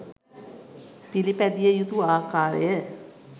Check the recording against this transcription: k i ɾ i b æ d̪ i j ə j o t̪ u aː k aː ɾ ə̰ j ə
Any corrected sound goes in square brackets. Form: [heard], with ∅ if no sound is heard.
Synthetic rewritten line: [p] i [l] i [p] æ d̪ i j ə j [u] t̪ u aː k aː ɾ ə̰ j ə